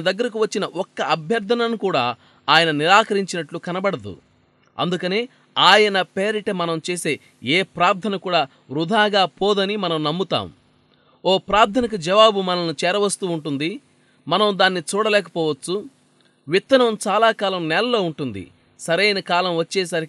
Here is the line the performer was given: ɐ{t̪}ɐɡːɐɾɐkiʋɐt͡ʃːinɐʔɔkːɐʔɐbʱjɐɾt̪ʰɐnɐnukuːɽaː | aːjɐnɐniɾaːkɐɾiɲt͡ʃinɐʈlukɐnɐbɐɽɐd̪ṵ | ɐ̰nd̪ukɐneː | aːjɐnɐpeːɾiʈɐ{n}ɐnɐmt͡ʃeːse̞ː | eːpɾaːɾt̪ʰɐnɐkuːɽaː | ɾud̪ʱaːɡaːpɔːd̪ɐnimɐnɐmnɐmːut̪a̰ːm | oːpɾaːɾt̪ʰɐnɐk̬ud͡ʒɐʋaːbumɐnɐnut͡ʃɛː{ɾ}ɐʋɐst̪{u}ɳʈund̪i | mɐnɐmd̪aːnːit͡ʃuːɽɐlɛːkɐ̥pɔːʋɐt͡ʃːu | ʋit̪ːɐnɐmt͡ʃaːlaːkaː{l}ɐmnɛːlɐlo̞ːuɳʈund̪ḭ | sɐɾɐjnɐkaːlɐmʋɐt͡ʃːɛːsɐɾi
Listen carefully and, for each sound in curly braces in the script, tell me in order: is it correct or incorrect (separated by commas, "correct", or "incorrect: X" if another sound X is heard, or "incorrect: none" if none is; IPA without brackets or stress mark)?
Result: incorrect: d̪, incorrect: m, correct, incorrect: uː, correct